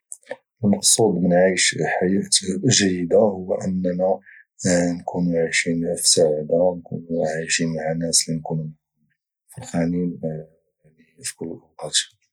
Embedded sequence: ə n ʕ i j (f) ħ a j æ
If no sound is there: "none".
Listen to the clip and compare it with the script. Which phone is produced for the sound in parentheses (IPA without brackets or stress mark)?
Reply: ʃ